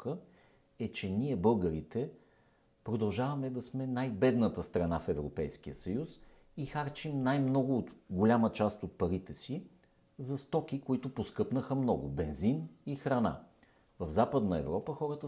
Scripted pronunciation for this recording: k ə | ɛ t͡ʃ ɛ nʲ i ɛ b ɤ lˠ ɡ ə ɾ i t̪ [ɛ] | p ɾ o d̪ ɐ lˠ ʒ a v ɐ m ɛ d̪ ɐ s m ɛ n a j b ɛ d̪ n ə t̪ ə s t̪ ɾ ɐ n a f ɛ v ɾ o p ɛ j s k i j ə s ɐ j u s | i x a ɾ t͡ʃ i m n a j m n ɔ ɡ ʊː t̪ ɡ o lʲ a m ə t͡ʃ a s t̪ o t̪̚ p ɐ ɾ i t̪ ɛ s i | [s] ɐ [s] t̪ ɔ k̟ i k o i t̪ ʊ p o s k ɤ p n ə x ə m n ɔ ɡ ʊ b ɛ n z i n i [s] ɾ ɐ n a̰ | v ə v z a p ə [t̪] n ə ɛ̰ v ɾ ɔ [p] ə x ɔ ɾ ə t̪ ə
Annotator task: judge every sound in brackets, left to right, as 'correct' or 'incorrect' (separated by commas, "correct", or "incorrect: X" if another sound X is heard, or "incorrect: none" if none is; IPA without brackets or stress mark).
correct, incorrect: z, correct, incorrect: x, incorrect: d̪, correct